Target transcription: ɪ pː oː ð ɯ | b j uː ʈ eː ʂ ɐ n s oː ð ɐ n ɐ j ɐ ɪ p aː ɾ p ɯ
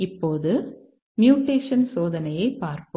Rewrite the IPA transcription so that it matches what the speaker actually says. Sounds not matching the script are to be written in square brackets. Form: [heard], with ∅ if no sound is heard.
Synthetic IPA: ɪ pː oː ð ɯ | [m] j uː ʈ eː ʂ ɐ n s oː ð ɐ n ɐ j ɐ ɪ p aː ɾ p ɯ